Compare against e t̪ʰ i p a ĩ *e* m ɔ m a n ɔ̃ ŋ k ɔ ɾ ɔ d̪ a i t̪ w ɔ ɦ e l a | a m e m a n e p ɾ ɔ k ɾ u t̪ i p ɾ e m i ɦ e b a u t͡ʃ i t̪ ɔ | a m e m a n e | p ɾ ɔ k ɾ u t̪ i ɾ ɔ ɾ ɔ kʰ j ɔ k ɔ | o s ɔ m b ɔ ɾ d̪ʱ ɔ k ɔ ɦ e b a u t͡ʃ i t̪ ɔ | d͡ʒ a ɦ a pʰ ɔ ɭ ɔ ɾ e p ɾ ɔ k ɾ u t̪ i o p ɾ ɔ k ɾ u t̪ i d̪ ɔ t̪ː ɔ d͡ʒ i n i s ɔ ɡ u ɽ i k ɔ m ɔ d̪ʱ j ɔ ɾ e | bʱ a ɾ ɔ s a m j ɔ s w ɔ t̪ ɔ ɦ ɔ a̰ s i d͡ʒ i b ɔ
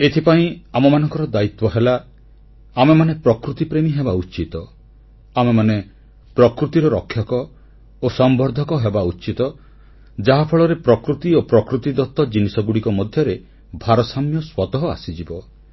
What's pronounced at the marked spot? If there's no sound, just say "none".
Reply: a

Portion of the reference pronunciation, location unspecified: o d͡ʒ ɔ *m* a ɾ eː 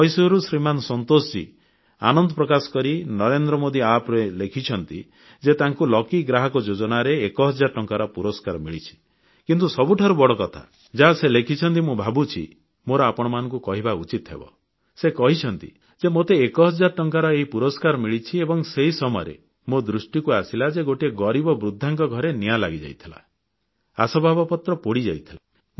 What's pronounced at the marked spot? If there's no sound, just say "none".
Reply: n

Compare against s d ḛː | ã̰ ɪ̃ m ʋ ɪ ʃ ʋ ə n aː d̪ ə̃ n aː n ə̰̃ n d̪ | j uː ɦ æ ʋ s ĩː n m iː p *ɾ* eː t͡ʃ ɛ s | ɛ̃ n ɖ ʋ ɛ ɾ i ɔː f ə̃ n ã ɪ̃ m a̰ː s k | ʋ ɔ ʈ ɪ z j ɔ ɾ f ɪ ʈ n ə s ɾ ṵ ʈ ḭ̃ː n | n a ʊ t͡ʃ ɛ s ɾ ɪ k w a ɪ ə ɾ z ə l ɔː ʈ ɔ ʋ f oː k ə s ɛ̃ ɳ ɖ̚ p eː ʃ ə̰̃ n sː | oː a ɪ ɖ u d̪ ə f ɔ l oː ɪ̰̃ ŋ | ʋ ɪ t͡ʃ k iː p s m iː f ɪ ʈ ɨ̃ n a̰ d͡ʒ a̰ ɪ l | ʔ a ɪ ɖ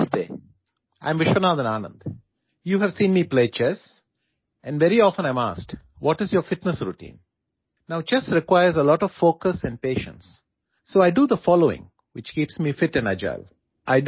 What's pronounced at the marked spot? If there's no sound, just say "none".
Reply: l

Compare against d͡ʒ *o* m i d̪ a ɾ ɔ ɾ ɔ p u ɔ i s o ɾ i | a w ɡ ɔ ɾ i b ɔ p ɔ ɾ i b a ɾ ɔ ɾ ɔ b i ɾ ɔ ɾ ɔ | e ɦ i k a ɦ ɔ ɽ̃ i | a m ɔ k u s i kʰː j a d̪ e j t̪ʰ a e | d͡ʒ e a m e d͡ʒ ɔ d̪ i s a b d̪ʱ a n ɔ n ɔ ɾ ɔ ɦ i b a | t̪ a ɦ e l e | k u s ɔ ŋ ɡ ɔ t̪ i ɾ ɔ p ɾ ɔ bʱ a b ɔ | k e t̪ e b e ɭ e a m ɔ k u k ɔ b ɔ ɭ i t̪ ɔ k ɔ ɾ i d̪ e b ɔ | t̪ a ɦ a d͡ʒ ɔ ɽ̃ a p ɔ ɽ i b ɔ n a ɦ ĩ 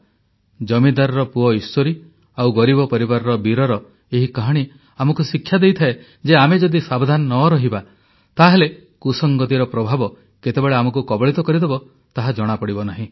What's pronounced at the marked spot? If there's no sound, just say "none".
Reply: ɔ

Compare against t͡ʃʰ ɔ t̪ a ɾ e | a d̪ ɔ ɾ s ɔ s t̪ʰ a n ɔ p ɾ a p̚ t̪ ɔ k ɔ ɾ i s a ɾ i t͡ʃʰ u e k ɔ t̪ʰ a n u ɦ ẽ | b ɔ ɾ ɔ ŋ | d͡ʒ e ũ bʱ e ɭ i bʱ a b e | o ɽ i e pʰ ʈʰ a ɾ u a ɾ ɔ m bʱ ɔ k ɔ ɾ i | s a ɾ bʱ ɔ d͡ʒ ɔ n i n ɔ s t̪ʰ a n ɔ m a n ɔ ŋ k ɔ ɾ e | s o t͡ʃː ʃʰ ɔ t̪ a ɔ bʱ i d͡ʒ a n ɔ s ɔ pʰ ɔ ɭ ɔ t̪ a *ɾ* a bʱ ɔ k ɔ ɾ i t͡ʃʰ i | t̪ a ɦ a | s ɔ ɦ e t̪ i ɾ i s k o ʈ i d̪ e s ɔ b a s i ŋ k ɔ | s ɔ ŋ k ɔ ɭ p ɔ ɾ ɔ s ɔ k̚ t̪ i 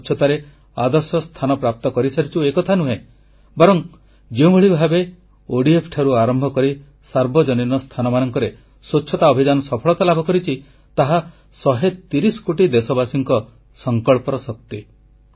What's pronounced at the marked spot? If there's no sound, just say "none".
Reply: l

